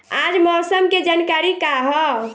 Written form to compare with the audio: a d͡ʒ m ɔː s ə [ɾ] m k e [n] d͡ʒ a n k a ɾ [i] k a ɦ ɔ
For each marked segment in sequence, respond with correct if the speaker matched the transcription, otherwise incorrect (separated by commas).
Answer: incorrect, incorrect, correct